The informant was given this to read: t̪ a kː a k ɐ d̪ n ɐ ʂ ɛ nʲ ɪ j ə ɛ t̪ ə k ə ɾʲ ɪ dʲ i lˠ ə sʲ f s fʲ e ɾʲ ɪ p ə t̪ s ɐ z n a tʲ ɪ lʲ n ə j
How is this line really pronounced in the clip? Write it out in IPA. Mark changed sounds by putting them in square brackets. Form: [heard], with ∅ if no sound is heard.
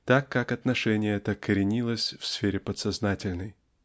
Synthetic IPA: t̪ a kː a k ɐ [t̪] n ɐ ʂ ɛ nʲ ɪ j ə ɛ t̪ ə k ə ɾʲ ɪ [nʲ] i lˠ ə sʲ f s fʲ e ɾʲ ɪ p ə t̪ s ɐ z n a tʲ ɪ lʲ n ə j